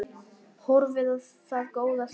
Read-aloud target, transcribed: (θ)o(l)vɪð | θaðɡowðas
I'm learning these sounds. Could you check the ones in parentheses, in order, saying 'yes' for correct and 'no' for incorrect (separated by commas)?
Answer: no, no